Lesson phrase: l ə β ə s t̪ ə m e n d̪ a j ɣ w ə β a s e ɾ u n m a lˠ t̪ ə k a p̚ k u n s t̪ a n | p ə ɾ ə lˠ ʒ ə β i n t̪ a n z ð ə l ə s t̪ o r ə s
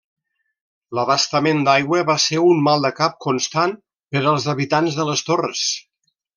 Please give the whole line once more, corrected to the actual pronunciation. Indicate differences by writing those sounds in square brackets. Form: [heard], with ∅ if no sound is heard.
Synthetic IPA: l ə β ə s t̪ ə m e n d̪ a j ɣ w ə β a s e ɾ u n m a lˠ [d̪] ə k a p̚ k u n s t̪ a n | p ə ɾ ə lˠ [z] ə β i [∅] t̪ a n z ð ə l ə s t̪ o r ə s